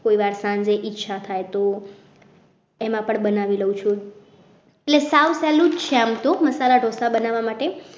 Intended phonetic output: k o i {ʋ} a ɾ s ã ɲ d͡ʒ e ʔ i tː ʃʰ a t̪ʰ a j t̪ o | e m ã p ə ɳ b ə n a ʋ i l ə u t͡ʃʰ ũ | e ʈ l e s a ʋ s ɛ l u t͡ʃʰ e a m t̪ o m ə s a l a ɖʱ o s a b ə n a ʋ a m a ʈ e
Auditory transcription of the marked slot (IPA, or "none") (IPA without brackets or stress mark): ʋ